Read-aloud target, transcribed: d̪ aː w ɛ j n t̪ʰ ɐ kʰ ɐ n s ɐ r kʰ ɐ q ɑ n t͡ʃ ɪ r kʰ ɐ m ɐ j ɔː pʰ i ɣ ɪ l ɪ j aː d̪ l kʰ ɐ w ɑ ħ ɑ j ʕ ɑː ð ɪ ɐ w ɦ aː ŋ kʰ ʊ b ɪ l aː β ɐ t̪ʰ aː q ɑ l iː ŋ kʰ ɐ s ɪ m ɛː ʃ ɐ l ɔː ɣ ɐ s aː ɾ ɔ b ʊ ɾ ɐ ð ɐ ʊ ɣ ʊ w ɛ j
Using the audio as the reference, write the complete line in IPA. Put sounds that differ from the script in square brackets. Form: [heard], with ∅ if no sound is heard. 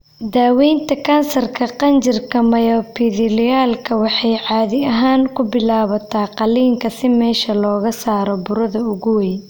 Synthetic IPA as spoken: d̪ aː w ɛ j n t̪ʰ ɐ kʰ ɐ n s ɐ r kʰ ɐ q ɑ n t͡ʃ ɪ r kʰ ɐ m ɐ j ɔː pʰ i [ð] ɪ l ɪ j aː [∅] l kʰ ɐ w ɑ ħ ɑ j ʕ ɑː ð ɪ ɐ [∅] ɦ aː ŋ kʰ ʊ b ɪ l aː β ɐ t̪ʰ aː q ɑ l iː ŋ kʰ ɐ s ɪ m ɛː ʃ ɐ l ɔː ɣ ɐ s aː ɾ ɔ b ʊ ɾ ɐ ð ɐ ʊ ɣ ʊ w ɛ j